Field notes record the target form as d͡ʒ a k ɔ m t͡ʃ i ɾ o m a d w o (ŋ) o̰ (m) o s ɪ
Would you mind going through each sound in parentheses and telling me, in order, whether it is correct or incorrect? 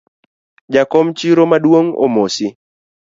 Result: correct, correct

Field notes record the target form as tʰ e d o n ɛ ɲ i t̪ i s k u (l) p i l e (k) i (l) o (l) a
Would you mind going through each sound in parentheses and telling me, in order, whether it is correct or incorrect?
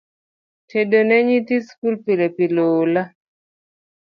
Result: correct, incorrect: p, correct, correct

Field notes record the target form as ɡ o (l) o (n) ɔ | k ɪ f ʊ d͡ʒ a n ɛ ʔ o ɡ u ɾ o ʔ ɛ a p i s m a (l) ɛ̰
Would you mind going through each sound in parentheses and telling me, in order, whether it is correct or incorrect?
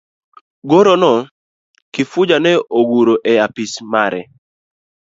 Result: incorrect: ɾ, correct, incorrect: ɾ

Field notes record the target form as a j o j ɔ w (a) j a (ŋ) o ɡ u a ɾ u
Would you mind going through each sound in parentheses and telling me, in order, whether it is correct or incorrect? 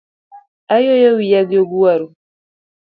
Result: incorrect: i, incorrect: ɡ

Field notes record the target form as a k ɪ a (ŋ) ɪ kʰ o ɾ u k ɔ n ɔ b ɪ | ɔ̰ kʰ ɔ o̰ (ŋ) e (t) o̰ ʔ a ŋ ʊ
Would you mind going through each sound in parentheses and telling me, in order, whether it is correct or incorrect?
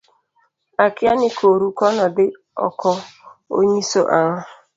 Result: incorrect: n, incorrect: ɲ, incorrect: s

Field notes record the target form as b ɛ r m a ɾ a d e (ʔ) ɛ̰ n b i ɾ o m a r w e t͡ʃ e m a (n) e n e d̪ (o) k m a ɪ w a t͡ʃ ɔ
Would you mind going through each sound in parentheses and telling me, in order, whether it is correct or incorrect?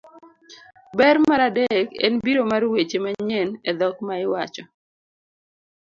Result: incorrect: k, incorrect: ɲ, incorrect: ɔ

